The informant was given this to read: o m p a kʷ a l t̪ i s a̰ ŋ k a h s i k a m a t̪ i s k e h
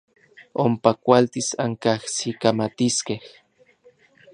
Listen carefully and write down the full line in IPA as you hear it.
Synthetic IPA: o m p a kʷ a l t̪ i s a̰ ŋ k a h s i k a m a t̪ i s k e h